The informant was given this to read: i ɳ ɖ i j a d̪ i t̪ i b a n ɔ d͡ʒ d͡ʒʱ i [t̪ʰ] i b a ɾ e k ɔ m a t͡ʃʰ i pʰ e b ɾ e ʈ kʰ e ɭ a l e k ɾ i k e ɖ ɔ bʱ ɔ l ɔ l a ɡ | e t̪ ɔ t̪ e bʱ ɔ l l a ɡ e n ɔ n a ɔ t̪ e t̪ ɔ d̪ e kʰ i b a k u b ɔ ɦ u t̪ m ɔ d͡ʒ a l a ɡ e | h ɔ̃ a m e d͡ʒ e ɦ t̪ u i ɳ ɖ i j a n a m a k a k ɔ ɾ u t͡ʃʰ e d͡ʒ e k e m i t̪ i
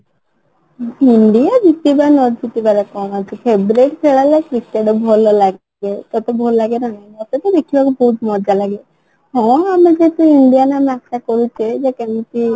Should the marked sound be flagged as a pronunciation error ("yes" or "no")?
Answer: yes